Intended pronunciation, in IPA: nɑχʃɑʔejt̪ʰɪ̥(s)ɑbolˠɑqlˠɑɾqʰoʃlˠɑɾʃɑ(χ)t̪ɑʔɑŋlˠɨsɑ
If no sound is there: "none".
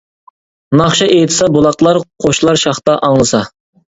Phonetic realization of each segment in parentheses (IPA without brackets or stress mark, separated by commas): s, χ